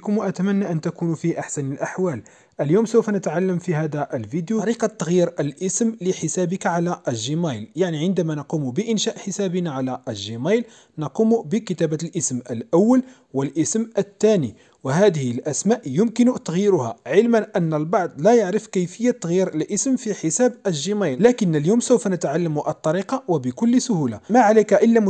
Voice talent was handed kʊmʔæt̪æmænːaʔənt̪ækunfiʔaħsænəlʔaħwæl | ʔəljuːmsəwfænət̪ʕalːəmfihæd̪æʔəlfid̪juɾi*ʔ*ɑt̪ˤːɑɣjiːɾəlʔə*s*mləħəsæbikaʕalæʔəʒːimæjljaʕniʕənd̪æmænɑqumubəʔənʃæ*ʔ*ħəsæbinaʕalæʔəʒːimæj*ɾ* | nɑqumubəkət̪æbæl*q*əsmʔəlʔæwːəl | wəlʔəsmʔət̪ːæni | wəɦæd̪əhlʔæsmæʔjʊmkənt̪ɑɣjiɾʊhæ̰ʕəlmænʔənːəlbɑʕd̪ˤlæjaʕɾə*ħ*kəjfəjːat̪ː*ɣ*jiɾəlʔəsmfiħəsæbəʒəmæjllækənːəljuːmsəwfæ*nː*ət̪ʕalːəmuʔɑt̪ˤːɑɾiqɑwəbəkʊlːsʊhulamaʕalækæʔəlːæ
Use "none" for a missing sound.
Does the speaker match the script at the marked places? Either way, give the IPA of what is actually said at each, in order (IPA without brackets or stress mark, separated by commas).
q, s, ʔ, l, ʔ, f, ɣ, n